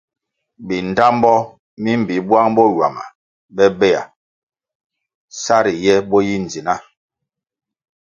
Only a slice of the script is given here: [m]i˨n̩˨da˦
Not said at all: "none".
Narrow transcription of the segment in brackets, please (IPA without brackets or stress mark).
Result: b